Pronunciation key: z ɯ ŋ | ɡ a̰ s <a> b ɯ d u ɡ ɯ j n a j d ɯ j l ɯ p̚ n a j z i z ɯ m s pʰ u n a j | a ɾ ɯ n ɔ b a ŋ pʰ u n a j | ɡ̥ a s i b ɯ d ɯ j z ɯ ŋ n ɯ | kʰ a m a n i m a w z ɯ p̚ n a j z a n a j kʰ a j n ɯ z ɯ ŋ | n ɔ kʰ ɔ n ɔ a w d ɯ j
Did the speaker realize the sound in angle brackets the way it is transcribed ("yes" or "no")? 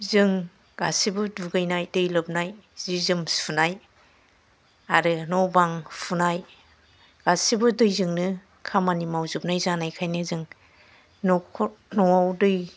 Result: no